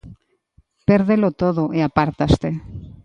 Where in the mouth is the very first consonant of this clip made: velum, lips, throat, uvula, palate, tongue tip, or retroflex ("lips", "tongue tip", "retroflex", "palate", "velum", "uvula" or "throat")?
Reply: lips